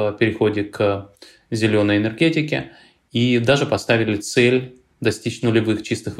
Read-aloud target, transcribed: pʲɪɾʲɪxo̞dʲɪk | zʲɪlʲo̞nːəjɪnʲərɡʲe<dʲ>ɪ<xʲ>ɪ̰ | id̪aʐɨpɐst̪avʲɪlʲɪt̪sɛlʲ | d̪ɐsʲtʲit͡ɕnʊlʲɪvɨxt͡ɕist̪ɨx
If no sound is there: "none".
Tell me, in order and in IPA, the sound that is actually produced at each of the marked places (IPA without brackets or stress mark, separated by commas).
tʲ, kʲ